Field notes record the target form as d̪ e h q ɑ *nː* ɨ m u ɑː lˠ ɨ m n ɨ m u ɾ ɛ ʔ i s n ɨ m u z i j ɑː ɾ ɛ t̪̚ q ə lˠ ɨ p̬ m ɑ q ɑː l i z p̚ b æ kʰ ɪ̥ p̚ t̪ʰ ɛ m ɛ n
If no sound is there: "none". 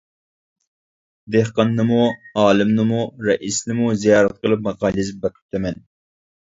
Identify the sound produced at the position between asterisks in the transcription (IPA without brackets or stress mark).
nː